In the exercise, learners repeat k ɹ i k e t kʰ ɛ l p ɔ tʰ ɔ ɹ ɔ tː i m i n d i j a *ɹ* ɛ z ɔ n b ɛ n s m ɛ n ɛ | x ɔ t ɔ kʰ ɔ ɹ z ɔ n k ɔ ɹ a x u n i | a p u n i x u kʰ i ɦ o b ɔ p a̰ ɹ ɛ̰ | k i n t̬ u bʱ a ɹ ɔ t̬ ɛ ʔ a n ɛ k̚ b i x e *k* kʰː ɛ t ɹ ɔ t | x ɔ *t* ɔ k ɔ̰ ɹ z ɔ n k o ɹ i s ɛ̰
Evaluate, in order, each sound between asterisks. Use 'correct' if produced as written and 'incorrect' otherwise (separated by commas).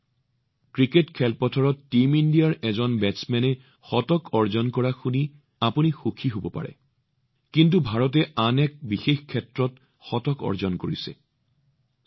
correct, incorrect, correct